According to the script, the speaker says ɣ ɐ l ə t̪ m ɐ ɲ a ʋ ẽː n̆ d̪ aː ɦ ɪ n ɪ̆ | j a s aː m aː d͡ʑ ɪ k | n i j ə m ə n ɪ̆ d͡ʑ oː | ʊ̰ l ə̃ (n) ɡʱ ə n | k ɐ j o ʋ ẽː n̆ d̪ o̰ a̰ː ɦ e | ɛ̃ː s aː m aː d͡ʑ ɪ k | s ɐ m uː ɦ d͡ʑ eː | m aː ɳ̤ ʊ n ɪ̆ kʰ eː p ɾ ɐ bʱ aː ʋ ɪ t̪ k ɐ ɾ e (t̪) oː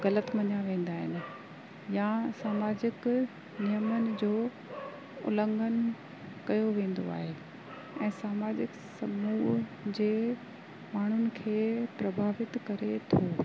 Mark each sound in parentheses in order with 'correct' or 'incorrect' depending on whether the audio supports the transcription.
incorrect: ŋ, incorrect: t̪ʰ

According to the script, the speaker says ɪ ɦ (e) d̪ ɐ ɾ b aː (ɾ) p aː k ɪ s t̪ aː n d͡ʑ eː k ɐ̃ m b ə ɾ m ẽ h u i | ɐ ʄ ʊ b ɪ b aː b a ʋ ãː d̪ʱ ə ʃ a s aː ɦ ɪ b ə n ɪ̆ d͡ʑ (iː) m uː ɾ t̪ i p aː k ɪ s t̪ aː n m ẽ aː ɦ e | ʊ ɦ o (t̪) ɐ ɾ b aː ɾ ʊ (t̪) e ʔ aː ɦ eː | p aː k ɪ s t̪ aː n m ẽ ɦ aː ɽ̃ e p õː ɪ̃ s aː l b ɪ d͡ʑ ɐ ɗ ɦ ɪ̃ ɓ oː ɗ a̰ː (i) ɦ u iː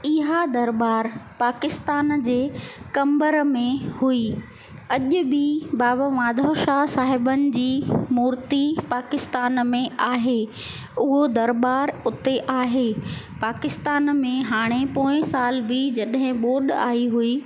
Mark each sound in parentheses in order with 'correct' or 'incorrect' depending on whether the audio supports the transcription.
incorrect: a, correct, correct, incorrect: d̪, correct, correct

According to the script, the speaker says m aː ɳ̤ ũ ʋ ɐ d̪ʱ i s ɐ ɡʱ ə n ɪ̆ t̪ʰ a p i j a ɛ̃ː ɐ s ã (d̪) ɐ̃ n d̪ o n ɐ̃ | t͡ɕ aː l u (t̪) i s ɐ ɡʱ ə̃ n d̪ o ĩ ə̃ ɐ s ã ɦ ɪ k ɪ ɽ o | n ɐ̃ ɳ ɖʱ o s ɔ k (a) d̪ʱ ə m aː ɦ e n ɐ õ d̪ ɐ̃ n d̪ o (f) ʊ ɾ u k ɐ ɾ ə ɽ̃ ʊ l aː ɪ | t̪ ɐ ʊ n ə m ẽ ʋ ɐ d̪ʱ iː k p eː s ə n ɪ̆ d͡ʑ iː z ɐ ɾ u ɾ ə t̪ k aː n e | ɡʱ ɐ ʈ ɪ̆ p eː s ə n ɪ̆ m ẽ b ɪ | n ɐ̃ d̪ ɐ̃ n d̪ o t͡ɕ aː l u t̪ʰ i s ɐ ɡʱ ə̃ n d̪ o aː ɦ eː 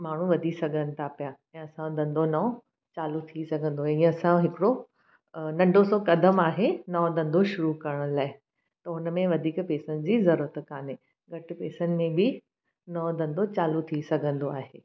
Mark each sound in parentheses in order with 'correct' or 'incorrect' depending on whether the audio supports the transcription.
correct, incorrect: t̪ʰ, incorrect: ɐ, incorrect: ʃ

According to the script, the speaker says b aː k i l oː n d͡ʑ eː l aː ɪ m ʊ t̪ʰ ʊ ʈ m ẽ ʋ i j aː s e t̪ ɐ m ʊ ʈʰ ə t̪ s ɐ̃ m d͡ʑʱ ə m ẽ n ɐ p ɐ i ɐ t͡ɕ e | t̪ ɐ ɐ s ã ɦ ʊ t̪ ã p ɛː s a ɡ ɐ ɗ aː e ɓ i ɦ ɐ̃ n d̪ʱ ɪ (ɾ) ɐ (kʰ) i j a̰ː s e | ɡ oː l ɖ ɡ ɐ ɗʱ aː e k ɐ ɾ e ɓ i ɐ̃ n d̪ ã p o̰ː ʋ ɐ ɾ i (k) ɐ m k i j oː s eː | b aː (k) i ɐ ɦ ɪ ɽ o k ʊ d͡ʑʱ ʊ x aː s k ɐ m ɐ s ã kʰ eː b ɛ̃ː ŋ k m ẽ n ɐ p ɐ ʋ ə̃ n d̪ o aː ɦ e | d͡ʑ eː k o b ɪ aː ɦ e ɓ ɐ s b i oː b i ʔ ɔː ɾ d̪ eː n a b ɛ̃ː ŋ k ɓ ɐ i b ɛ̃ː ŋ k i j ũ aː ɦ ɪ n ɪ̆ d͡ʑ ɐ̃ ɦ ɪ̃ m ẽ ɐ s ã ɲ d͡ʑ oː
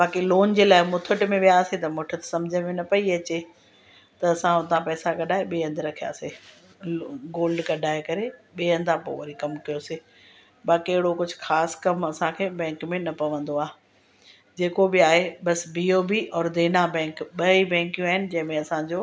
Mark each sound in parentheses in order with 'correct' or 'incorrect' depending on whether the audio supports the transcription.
correct, correct, correct, correct

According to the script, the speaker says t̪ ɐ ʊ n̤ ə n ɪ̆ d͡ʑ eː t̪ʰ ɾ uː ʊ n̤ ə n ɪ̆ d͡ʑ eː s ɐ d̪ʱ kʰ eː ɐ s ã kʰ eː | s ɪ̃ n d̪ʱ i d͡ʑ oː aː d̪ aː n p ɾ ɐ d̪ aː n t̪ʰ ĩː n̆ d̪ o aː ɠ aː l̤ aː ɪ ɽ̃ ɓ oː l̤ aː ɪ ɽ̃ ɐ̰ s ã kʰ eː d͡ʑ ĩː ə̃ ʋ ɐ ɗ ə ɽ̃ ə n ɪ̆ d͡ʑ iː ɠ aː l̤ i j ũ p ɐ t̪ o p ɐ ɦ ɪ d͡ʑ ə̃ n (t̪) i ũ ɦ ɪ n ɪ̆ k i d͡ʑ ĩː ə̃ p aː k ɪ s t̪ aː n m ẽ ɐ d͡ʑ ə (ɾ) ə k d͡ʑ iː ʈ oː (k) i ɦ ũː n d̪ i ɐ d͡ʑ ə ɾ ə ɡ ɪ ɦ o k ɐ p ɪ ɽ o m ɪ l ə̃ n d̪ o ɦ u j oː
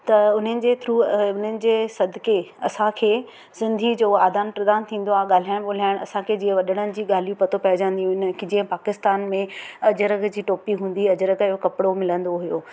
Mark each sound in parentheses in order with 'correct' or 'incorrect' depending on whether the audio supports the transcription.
incorrect: d̪, correct, incorrect: p

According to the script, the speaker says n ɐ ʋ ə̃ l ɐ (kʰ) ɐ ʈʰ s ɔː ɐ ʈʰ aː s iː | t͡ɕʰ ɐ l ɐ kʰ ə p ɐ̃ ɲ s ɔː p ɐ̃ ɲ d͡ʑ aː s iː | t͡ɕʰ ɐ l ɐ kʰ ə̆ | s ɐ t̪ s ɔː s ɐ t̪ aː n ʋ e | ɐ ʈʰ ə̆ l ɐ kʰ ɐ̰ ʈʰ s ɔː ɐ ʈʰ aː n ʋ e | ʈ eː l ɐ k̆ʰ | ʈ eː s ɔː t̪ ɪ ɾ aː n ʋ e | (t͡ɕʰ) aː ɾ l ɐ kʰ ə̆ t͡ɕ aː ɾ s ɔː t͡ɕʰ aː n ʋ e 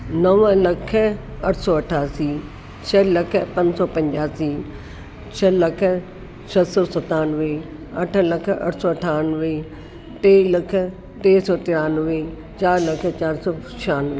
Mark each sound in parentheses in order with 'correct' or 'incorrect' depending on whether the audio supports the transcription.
correct, incorrect: t͡ɕ

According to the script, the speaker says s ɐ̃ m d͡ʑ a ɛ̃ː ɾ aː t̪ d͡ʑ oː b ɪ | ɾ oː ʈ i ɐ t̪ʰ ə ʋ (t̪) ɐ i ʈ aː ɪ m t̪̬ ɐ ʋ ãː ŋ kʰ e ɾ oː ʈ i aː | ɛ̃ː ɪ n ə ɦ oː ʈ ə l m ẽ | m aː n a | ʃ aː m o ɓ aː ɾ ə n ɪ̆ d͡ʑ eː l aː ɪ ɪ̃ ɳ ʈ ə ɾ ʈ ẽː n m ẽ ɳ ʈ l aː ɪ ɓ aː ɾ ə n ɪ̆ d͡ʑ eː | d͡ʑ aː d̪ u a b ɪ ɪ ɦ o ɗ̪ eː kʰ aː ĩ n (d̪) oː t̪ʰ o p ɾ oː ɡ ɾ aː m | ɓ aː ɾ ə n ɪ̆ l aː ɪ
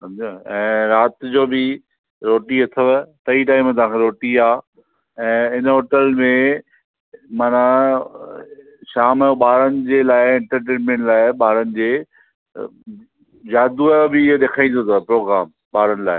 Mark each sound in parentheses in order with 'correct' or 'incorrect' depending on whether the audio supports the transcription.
correct, correct

